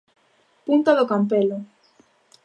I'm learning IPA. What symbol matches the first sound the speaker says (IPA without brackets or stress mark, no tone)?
p